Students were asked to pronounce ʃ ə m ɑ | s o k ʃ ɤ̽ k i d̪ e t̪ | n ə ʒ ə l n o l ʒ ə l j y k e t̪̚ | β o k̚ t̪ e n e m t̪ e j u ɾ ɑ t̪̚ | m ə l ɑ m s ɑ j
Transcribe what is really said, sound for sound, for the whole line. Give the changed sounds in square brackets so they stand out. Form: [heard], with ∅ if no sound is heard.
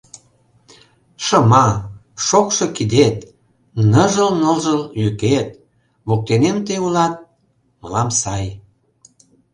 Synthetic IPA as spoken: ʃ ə m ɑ | [ʃ] o k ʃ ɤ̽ k i d̪ e t̪ | n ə ʒ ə l n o l ʒ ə l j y k e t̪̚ | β o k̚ t̪ e n e m t̪ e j u [l] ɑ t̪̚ | m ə l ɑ m s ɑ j